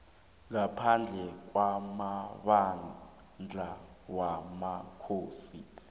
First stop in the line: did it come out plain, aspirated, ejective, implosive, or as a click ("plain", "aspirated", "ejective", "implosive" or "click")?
aspirated